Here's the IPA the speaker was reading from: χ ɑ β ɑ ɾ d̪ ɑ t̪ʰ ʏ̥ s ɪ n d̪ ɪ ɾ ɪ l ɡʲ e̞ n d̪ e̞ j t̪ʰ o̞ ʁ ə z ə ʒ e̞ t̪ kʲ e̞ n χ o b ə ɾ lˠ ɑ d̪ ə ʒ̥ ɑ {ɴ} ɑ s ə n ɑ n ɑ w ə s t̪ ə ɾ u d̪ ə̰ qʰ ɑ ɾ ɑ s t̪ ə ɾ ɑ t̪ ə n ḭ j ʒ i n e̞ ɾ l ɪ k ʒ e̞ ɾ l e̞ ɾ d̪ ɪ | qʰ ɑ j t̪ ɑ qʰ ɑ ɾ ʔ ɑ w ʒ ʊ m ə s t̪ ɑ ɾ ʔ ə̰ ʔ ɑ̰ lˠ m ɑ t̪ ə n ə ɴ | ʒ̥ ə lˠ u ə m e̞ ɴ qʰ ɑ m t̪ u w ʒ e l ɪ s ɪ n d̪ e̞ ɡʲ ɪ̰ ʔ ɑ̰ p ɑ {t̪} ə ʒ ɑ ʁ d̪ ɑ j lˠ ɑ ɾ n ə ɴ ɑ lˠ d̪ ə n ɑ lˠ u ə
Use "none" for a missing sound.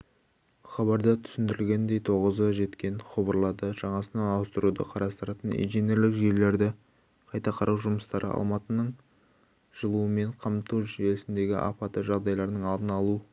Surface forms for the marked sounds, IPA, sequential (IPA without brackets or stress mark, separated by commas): ɴ, t̪